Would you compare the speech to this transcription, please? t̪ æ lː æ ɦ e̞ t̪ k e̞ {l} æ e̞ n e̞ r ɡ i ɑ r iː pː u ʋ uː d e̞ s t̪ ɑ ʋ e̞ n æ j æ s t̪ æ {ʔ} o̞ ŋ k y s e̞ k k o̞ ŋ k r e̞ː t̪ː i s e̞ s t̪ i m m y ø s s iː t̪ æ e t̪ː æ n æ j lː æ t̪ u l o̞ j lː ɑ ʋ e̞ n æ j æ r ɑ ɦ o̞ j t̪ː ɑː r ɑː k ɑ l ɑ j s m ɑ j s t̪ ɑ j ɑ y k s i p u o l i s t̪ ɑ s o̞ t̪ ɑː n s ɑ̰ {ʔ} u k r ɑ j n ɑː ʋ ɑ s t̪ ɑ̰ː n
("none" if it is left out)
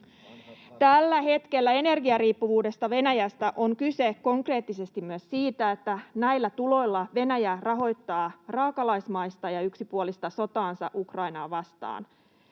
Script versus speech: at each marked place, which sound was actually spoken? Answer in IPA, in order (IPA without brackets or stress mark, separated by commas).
lː, ʔ, ʔ